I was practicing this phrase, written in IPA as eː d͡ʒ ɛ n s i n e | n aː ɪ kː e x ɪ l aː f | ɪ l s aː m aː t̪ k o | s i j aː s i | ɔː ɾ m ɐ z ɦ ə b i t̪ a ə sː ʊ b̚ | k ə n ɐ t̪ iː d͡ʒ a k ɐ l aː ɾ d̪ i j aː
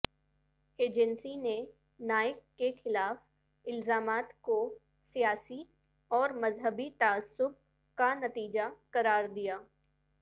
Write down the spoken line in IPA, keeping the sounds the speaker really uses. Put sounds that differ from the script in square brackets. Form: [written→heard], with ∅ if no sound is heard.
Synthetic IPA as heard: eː d͡ʒ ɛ n s i n e | n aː ɪ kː e x ɪ l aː f | ɪ l [s→z] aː m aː t̪ k o | s i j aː s i | ɔː ɾ m ɐ z ɦ ə b i t̪ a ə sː ʊ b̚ | k [ə→a] n ɐ t̪ iː d͡ʒ a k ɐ [l→ɾ] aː ɾ d̪ i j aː